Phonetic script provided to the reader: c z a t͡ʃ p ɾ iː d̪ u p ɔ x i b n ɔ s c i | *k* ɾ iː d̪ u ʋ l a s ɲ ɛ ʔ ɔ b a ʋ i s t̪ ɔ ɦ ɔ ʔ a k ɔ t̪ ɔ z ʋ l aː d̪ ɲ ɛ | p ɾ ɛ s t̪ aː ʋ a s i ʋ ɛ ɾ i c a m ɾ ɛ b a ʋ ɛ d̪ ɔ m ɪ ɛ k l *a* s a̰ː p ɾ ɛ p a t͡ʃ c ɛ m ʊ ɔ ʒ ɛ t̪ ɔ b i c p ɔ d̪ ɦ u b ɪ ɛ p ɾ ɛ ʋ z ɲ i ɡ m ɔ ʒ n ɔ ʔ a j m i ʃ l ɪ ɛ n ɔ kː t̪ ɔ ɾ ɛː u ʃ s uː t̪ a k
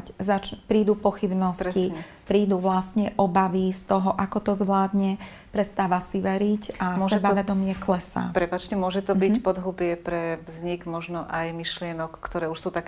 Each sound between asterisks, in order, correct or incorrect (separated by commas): incorrect, incorrect